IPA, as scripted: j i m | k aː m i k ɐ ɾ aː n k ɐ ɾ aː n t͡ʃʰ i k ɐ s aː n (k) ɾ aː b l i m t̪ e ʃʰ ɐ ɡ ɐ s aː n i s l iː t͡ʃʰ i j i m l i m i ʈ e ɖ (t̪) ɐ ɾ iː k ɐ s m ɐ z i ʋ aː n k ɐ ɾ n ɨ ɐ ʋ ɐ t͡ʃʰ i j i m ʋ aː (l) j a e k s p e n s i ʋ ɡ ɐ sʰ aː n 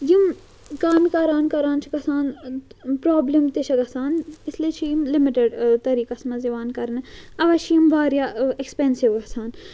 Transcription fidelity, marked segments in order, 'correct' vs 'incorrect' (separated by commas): incorrect, correct, incorrect